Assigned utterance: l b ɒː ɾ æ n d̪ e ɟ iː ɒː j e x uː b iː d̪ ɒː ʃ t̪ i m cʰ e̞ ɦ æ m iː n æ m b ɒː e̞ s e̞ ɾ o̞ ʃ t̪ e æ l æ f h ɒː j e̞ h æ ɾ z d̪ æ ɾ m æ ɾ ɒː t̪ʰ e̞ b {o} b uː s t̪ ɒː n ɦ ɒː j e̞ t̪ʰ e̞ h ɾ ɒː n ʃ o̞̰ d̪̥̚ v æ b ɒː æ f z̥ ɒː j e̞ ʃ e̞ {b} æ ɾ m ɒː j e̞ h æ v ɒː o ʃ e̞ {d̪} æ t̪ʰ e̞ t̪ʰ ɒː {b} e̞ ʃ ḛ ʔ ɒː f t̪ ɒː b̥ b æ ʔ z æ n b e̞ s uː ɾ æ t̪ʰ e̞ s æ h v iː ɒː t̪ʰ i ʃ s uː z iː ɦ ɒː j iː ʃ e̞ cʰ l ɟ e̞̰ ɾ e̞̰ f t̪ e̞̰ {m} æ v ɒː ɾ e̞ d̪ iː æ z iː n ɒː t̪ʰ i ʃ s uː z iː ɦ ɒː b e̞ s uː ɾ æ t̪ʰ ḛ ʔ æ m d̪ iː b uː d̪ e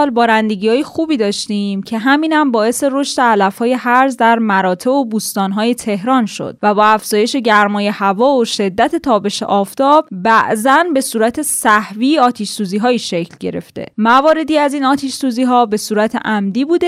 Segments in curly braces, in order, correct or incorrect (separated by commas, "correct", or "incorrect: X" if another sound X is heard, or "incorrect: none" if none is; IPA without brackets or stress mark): correct, incorrect: ɟ, incorrect: d̪ː, correct, correct